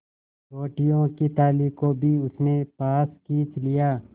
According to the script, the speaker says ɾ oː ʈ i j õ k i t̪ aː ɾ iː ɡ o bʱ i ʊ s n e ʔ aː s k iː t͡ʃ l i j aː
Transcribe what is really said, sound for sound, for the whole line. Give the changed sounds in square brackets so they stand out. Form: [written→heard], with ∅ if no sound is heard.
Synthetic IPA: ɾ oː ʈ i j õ k i t̪ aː [ɾ→l] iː [ɡ→k] o bʱ i ʊ s n e [ʔ→p] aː s k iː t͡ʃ l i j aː